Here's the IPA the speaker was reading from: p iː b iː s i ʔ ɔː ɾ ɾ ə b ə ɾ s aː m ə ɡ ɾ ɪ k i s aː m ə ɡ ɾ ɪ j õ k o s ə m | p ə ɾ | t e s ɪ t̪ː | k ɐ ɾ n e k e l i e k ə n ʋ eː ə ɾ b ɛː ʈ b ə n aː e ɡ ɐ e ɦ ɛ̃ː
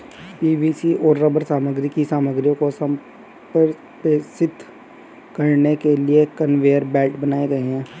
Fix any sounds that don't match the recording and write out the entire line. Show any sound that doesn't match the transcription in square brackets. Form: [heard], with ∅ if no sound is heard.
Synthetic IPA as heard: p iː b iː s i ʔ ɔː ɾ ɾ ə b ə ɾ s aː m ə ɡ ɾ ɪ k i s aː m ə ɡ ɾ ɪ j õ k o s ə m | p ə ɾ | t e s ɪ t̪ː | k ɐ ɾ n e k e l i e k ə n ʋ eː ə ɾ b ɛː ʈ b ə n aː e ɡ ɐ e ɦ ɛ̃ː